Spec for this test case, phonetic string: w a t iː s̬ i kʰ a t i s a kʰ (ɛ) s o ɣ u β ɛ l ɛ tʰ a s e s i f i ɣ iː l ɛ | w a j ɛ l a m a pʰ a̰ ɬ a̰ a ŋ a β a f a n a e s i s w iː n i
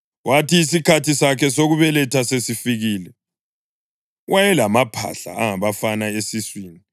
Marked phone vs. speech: correct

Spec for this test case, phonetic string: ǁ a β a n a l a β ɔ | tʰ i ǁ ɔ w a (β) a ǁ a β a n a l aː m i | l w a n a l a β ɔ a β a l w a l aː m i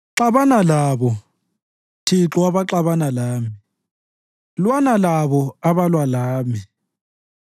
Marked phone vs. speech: correct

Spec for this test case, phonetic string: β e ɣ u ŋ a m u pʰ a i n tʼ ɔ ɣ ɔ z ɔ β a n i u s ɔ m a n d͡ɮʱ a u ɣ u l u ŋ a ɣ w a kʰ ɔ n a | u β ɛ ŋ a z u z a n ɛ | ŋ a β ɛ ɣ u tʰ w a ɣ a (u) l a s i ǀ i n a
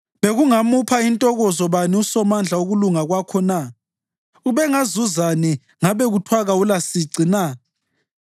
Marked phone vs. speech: correct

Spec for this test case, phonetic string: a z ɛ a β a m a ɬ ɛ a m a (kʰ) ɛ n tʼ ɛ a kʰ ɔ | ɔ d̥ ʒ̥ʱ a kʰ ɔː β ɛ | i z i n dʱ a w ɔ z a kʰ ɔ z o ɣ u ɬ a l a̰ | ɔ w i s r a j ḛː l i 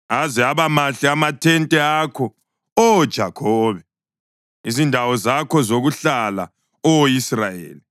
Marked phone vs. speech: incorrect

